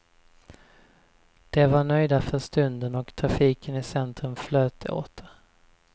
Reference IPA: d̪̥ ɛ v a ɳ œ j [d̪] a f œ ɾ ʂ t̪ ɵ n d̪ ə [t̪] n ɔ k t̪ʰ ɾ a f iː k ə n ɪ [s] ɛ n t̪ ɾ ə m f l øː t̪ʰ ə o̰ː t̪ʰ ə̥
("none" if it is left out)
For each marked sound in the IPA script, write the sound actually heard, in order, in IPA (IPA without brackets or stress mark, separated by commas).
d̪, none, s